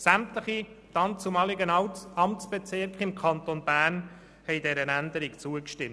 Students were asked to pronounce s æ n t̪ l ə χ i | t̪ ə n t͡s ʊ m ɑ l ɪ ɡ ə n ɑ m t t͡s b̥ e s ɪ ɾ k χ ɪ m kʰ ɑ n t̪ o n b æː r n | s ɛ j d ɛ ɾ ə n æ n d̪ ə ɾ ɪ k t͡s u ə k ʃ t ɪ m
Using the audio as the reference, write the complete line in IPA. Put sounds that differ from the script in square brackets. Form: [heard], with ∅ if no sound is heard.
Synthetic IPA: s æ [m] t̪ l ə χ i | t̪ [ɑ] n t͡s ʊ m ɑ l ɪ ɡ ə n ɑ m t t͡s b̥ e [t͡s] ɪ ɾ k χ ɪ m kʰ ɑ n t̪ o n b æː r n | [h] ɛ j d ɛ ɾ ə n æ n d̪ ə ɾ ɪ k t͡s u ə k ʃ t ɪ m